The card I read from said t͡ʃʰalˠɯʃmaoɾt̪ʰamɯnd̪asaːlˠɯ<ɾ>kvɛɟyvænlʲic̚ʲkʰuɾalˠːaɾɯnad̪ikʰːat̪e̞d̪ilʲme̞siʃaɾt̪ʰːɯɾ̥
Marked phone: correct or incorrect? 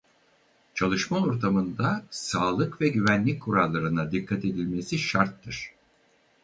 incorrect